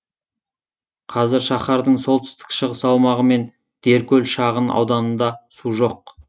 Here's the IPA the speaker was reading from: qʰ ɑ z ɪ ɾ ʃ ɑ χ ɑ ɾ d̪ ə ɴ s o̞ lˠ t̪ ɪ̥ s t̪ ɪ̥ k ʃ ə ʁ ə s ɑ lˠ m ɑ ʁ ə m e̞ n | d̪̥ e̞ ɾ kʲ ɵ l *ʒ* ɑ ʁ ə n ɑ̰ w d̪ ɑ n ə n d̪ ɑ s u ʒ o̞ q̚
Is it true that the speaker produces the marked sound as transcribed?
no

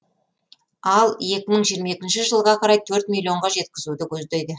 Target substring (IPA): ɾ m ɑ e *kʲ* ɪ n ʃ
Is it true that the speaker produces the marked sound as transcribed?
yes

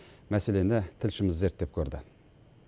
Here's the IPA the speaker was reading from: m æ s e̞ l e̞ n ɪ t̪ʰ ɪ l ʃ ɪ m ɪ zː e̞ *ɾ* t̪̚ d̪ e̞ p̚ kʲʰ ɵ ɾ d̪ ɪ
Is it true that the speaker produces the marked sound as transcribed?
yes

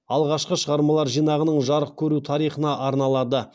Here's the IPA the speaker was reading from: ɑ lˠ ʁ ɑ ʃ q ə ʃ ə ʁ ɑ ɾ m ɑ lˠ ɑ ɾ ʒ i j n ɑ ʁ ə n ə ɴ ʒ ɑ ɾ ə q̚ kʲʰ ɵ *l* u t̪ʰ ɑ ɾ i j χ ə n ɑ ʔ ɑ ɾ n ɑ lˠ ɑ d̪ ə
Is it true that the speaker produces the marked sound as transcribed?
no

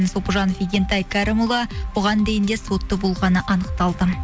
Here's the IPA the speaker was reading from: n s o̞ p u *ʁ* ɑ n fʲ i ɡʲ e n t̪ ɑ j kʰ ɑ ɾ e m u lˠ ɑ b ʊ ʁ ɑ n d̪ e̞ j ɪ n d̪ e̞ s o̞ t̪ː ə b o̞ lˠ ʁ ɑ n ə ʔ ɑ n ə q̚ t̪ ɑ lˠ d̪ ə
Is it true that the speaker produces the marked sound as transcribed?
no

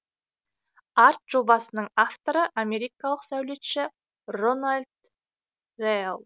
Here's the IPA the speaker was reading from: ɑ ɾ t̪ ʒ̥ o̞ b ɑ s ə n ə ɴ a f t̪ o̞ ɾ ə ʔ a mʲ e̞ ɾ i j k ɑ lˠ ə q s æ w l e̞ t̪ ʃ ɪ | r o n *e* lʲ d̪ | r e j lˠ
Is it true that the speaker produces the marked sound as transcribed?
no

